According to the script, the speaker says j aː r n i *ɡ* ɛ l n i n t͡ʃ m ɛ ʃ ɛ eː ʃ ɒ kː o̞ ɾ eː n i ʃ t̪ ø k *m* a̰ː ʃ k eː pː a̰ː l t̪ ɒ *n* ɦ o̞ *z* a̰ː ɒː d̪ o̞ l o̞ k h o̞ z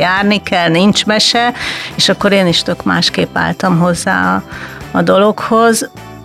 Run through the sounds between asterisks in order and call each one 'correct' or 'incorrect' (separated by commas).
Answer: incorrect, correct, incorrect, incorrect